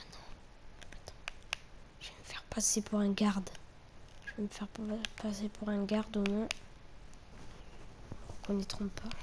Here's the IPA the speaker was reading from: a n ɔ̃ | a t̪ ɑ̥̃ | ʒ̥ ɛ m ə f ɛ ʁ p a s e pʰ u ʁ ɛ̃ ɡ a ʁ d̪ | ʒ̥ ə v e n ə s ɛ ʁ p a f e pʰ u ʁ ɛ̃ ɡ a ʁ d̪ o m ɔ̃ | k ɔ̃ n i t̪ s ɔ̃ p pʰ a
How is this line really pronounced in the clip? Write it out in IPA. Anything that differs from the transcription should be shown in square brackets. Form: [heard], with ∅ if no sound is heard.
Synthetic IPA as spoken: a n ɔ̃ | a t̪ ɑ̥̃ | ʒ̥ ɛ m ə f ɛ ʁ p a s e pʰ u ʁ ɛ̃ ɡ a ʁ d̪ | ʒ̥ ə v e [m] ə [f] ɛ ʁ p a [s] e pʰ u ʁ ɛ̃ ɡ a ʁ d̪ o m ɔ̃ | k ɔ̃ n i t̪ [χ] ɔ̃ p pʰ a